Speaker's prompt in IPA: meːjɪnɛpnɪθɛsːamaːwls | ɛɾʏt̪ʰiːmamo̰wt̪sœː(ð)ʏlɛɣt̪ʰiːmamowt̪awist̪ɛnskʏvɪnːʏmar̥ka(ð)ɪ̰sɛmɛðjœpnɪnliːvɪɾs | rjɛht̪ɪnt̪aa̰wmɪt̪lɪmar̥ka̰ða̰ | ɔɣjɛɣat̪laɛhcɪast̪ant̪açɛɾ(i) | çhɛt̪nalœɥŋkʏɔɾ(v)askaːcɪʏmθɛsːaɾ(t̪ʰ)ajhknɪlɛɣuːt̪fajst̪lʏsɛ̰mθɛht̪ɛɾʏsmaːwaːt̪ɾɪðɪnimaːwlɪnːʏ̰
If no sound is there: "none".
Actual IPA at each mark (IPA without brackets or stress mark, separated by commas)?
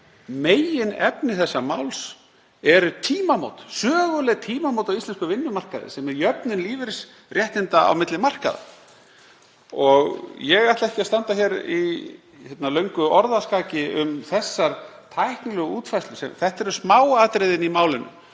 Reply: ɣ, ð, i, ð, t̪ʰ